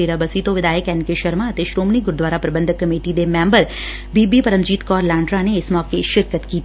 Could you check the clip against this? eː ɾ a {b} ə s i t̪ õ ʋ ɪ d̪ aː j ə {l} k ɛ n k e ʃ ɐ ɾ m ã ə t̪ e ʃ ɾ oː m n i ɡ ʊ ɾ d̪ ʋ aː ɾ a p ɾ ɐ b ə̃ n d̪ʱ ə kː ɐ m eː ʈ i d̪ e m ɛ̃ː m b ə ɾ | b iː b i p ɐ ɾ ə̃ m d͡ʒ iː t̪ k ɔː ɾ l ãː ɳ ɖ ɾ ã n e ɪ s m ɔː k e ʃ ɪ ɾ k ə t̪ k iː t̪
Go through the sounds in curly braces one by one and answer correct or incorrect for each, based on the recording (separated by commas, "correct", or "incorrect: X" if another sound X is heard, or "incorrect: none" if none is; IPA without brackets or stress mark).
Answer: correct, incorrect: none